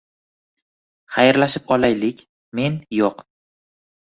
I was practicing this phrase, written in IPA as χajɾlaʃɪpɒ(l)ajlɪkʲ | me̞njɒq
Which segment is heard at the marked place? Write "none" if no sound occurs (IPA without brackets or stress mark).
l